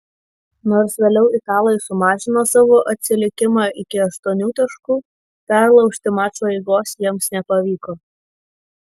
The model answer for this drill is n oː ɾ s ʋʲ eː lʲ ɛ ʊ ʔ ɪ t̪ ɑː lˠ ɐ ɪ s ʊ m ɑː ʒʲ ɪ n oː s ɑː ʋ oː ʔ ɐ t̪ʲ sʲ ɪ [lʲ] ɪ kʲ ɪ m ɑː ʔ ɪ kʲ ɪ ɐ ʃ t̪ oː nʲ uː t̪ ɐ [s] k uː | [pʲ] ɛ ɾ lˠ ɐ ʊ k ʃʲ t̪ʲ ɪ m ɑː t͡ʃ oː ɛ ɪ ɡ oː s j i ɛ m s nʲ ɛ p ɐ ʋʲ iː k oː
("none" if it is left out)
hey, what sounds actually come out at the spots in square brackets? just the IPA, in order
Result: lʲ, ʃ, pʲ

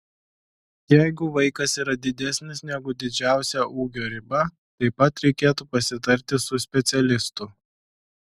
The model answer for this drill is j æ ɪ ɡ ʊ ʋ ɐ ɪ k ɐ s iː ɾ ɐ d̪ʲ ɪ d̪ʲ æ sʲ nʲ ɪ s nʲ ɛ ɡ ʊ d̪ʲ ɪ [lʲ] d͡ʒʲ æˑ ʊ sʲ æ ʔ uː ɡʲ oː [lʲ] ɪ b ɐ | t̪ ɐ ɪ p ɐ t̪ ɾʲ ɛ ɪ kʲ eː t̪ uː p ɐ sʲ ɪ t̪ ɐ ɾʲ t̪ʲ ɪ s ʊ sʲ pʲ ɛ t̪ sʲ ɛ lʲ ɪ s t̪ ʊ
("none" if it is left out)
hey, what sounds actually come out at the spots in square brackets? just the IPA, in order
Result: none, ɾʲ

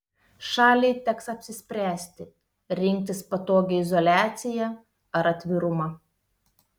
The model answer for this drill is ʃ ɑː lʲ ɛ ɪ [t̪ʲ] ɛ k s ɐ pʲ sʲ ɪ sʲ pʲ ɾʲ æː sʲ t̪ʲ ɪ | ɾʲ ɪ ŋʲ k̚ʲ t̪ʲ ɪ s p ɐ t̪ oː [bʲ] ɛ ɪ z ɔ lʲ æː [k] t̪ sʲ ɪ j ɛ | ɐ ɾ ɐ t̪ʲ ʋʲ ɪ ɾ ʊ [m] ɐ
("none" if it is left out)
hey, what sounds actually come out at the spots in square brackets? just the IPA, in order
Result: t̪ʲ, ɡʲ, none, m

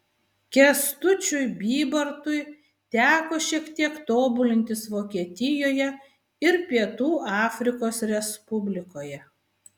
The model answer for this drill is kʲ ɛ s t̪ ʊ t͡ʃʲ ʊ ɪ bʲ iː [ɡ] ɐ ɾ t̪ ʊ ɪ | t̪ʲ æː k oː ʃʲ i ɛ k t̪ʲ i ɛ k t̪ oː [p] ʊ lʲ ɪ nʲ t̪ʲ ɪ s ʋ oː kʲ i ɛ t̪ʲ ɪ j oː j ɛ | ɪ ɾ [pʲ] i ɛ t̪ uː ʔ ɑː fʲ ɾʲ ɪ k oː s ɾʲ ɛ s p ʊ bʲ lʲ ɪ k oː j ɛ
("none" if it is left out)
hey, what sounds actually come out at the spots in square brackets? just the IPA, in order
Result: b, b, pʲ

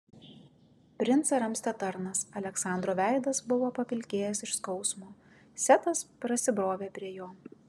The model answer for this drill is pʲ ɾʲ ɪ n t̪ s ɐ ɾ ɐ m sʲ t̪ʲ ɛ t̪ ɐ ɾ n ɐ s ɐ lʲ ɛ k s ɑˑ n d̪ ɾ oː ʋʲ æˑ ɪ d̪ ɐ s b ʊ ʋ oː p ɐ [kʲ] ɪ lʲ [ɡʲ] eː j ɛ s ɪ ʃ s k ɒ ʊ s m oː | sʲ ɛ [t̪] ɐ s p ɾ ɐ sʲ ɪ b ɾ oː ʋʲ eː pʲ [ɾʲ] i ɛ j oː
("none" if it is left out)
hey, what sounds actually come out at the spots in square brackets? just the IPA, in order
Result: pʲ, kʲ, t̪, ɾʲ

